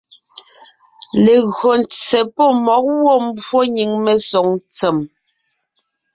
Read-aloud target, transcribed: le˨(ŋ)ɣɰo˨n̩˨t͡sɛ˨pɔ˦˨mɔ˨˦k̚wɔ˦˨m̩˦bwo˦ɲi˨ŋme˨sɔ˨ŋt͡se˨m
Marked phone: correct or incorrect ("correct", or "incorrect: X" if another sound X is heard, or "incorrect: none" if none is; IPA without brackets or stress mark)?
incorrect: none